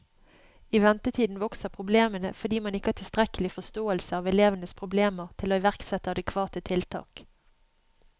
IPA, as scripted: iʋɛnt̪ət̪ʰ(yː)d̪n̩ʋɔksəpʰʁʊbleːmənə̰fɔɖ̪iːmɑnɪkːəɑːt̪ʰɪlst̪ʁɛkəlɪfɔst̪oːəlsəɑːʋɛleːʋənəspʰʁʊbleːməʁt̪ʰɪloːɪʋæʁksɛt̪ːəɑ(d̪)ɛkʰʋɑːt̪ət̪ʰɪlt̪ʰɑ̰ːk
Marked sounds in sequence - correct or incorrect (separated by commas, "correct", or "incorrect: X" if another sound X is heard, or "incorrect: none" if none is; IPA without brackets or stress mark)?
incorrect: iː, correct